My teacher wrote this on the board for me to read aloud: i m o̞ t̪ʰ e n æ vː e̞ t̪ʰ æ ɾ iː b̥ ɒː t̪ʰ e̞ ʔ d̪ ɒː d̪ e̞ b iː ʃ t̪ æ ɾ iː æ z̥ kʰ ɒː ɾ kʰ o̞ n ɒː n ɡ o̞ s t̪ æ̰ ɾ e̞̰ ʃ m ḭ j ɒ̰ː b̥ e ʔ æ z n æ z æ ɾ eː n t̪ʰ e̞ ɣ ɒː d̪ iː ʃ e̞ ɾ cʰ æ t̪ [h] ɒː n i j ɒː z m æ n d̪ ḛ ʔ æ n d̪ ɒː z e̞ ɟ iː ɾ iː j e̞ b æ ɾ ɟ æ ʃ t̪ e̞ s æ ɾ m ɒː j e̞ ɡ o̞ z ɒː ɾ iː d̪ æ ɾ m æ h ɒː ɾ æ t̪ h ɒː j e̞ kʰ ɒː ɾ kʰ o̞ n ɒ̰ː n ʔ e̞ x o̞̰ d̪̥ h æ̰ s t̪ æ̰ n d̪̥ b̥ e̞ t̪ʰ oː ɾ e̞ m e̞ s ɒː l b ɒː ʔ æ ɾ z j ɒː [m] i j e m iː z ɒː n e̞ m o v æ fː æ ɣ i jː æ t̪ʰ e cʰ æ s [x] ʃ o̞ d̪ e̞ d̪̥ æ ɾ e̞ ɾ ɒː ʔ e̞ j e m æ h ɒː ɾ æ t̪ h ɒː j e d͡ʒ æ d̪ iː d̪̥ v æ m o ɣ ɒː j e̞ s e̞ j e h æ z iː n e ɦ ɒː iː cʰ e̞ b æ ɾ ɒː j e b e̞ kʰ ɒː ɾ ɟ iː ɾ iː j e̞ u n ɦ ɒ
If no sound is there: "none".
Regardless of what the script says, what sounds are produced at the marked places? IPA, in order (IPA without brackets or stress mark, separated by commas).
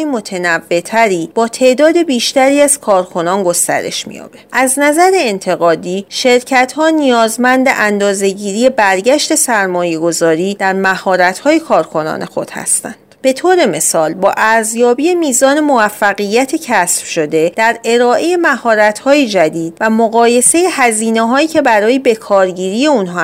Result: h, b, f